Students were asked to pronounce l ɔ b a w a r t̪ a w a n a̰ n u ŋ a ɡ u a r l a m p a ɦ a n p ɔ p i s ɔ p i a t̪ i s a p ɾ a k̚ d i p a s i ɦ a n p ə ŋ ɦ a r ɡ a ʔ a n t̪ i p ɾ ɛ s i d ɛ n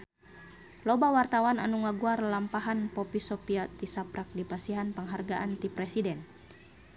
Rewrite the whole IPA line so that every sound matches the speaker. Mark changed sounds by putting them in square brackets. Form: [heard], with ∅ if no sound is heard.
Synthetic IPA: l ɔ b a w a r t̪ a w a n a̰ n u ŋ a ɡ u a r l a m p a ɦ a n p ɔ p i s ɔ p i a t̪ i s a p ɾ a k̚ d i p a s i ɦ a n p ə ŋ ɦ a r ɡ a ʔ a n t̪ i p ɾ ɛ s i d ɛ n